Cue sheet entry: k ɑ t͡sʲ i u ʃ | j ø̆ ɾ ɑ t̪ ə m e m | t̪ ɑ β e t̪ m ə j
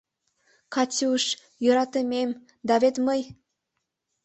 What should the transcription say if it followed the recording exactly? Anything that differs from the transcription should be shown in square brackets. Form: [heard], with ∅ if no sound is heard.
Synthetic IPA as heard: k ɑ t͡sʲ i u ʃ | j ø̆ ɾ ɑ t̪ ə m e m | [d̪] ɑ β e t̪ m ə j